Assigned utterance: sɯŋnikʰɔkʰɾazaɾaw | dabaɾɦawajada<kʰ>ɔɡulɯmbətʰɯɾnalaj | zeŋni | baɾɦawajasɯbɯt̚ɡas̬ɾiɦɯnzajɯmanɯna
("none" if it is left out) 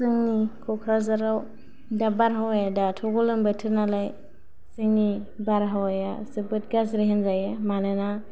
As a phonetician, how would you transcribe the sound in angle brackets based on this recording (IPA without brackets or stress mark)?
tʰ